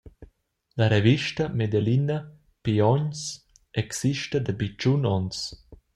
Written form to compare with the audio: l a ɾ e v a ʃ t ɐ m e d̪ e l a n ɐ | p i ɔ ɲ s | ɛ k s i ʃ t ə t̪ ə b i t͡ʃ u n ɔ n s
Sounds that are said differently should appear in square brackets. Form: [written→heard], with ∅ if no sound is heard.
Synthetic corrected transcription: l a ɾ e v [a→i] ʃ t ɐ m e d̪ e l [a→i] n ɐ | p i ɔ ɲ s | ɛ k s i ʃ t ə [t̪→d̪] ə b i t͡ʃ u n ɔ n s